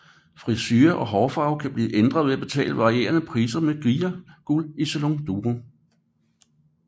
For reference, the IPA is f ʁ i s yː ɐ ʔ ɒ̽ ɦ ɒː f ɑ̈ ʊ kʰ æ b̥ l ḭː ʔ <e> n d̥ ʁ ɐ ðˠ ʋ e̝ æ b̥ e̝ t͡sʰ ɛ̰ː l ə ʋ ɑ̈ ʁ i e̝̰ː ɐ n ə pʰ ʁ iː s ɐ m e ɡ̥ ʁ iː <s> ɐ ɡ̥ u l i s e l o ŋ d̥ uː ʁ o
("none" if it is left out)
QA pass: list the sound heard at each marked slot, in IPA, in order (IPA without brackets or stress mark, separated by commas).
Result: e, none